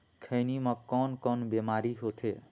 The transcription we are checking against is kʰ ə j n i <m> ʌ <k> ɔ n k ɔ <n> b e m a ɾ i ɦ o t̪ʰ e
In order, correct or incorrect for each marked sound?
correct, correct, correct

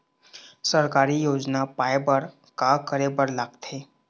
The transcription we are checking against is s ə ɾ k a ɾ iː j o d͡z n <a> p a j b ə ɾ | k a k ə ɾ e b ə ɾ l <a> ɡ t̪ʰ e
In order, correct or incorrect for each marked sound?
correct, correct

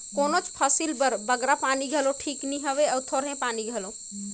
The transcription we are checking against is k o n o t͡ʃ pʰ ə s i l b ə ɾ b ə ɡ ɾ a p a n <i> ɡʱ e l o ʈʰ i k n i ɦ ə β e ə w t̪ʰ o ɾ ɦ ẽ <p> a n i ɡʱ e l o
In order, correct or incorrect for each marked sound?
correct, correct

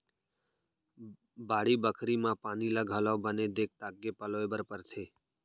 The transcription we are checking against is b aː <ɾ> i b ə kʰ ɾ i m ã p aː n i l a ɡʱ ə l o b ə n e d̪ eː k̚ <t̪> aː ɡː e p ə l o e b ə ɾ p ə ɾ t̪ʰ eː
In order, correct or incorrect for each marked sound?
incorrect: ɽ, correct

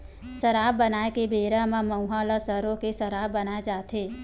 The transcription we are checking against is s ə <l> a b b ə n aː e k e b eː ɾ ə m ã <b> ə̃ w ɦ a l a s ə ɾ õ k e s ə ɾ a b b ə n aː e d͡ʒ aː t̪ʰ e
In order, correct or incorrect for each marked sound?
incorrect: ɾ, incorrect: m

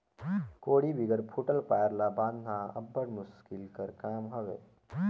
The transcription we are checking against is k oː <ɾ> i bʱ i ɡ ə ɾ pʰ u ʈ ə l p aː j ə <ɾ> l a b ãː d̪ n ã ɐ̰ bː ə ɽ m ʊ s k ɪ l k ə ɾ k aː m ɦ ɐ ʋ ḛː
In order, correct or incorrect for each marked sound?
incorrect: ɽ, correct

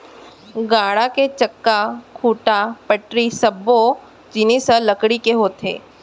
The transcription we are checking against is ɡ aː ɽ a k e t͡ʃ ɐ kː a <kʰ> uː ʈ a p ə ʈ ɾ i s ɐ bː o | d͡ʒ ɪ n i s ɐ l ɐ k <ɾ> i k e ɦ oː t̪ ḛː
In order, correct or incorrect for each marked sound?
correct, incorrect: ɽ

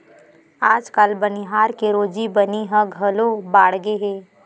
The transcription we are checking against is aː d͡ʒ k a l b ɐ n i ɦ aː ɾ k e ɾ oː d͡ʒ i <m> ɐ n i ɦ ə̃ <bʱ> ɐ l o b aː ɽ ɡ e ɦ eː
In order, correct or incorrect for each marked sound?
incorrect: b, incorrect: ɡʱ

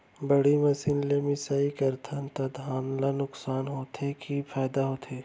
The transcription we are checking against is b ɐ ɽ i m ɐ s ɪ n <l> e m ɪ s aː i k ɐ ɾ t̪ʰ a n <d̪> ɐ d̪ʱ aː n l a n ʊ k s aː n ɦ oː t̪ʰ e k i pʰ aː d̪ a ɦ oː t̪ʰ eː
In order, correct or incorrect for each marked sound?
correct, incorrect: t̪

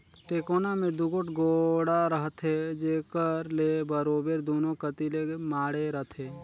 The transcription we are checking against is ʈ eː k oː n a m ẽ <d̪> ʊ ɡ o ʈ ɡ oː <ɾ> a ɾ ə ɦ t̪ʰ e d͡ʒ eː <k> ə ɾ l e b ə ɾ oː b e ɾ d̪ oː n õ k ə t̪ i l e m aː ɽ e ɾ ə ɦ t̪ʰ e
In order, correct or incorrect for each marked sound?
correct, incorrect: ɽ, correct

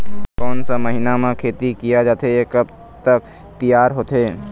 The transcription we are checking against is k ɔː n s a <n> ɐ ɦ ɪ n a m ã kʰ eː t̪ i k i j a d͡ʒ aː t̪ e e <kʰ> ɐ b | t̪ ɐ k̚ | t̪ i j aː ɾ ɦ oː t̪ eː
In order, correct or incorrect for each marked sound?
incorrect: m, incorrect: k

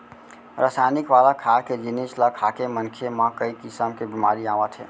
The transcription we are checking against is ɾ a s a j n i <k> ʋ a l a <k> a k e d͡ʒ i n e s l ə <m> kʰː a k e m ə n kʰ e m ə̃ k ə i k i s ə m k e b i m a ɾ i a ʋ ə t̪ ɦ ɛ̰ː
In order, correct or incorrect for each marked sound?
correct, incorrect: kʰ, incorrect: none

